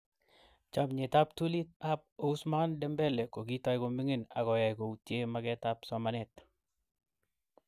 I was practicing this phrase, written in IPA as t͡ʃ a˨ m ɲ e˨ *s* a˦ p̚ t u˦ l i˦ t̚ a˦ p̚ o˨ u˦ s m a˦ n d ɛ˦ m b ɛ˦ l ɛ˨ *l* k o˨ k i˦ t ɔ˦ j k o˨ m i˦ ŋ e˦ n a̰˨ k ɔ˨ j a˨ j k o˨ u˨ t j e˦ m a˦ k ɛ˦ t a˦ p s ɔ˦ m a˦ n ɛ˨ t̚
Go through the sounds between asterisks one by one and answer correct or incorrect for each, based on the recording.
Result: incorrect: t, incorrect: none

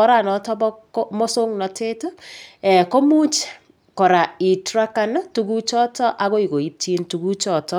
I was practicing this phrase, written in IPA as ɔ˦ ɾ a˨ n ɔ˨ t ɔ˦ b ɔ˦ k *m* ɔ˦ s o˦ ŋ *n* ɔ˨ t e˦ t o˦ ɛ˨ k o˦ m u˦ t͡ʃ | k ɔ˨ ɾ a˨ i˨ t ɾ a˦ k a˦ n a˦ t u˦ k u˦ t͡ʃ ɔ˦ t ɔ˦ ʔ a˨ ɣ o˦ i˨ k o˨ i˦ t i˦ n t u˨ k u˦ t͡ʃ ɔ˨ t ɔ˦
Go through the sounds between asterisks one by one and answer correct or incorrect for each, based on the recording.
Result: correct, correct

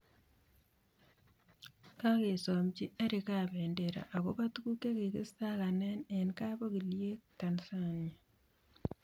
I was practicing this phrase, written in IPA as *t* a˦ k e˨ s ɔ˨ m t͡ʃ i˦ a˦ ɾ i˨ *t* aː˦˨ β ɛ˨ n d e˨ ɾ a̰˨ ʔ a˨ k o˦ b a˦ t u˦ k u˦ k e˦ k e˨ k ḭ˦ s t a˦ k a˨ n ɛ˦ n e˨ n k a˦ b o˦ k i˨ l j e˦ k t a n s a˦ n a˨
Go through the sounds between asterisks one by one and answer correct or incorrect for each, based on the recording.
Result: incorrect: k, incorrect: k

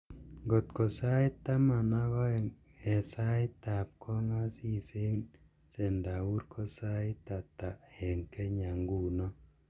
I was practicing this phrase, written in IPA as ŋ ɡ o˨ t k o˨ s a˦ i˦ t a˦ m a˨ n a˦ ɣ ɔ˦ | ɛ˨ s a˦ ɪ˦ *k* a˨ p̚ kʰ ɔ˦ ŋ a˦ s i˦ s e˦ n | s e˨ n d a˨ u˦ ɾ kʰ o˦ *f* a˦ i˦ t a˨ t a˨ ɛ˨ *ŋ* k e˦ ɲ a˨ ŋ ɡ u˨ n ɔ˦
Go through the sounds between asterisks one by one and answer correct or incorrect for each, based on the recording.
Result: incorrect: t, incorrect: s, correct

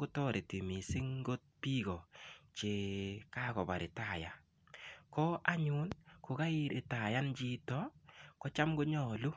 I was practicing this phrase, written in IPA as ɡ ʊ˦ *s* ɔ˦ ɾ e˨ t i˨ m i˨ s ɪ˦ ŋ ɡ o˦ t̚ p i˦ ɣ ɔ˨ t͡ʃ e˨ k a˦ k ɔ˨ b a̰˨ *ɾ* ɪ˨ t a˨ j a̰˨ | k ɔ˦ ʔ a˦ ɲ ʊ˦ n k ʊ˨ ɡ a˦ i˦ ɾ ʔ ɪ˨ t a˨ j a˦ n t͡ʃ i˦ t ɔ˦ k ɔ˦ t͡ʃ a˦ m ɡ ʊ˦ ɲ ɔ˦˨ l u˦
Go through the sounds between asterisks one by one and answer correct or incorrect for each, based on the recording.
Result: incorrect: t, correct

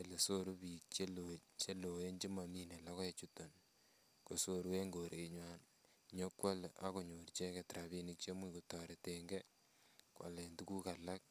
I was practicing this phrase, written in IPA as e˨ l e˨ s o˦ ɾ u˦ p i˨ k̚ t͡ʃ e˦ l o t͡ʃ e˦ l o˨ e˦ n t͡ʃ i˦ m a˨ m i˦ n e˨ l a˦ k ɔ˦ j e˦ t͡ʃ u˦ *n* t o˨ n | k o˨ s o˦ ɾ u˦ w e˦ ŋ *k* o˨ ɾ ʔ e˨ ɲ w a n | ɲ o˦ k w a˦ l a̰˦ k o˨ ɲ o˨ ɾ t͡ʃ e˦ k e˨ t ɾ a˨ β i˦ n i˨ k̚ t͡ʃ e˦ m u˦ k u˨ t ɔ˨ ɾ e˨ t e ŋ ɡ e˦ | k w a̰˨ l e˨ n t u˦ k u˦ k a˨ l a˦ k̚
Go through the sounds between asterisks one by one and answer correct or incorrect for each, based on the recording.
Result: incorrect: none, incorrect: ɡ

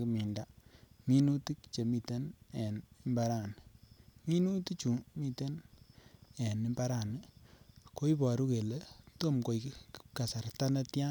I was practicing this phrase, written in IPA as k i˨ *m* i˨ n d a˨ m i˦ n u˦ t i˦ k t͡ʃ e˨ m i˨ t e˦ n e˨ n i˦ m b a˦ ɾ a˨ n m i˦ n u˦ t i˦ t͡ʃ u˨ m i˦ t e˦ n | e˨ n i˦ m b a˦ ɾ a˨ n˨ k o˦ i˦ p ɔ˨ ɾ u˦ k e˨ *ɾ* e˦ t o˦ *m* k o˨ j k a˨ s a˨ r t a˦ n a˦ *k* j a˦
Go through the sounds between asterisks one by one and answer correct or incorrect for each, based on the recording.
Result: correct, incorrect: l, correct, incorrect: t

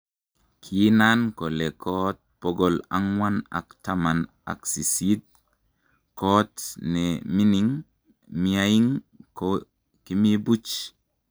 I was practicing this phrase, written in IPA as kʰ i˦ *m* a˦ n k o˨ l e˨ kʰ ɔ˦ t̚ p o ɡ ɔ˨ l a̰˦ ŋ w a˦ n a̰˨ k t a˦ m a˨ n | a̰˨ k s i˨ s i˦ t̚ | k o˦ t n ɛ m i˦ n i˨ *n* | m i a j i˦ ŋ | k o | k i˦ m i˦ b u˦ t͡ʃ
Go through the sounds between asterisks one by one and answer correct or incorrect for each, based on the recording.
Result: incorrect: n, incorrect: ŋ

